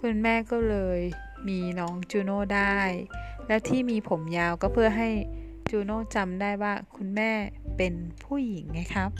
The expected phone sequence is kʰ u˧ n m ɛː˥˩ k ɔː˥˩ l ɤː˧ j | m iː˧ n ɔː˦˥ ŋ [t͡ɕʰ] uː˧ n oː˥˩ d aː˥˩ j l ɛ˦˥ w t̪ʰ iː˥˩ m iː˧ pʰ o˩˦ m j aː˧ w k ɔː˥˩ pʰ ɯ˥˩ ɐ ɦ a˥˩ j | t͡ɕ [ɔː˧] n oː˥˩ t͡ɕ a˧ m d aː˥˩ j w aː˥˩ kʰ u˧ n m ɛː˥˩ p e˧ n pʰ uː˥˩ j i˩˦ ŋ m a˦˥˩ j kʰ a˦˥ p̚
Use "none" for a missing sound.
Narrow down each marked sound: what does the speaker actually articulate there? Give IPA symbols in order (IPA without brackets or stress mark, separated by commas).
t͡ɕ, uː˧